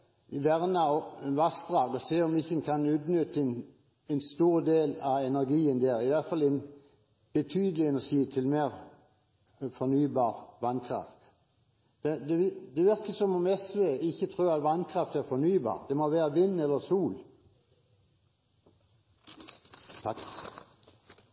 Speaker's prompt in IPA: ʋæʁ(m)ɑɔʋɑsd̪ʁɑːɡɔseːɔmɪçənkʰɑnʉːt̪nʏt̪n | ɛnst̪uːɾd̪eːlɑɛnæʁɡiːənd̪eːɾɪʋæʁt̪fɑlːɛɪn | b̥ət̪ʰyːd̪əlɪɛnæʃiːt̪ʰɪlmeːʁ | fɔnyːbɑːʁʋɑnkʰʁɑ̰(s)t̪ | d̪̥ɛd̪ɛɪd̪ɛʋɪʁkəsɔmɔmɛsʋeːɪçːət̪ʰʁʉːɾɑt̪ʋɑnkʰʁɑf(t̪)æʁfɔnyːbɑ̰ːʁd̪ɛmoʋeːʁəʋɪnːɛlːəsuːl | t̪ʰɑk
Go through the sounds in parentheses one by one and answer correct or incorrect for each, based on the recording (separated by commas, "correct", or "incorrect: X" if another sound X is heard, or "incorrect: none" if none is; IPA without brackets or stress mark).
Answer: incorrect: n, incorrect: f, correct